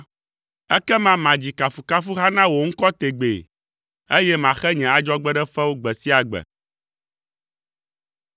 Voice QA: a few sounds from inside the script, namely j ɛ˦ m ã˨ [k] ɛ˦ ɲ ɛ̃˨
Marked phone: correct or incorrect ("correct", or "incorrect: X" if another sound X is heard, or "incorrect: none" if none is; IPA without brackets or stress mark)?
incorrect: x